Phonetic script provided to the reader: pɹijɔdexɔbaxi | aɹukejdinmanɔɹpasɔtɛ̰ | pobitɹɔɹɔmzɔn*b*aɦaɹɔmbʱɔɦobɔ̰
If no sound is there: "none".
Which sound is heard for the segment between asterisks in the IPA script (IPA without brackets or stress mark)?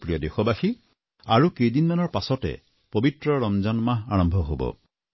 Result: m